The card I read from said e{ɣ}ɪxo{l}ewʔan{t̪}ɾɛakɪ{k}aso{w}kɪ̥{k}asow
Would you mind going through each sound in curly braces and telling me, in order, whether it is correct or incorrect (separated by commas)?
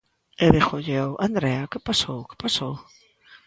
incorrect, incorrect, incorrect, incorrect, correct, incorrect